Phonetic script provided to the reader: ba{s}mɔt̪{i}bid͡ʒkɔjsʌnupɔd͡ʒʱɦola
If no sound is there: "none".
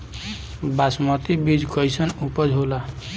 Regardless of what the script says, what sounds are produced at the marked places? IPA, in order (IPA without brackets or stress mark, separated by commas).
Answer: s, i